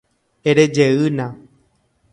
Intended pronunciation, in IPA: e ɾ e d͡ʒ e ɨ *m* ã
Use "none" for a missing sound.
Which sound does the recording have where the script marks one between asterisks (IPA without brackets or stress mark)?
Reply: n